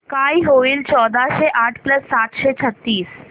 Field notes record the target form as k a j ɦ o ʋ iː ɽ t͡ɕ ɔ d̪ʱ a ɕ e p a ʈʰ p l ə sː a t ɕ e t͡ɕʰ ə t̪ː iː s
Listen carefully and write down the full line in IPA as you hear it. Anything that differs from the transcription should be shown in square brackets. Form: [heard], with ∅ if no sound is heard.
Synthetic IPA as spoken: k a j ɦ o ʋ iː [l] t͡ɕ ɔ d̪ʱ a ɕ e [ʔ] a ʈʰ p l ə sː a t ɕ e t͡ɕʰ ə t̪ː iː s